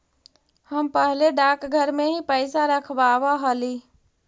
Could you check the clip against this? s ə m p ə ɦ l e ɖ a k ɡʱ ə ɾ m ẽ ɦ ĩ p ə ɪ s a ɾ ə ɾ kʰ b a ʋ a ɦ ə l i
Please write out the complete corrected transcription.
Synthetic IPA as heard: h ə m p ə ɦ l e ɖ a k ɡʱ ə ɾ m e ɦ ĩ p ə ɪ s a ɾ ə kʰ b a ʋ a ɦ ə l i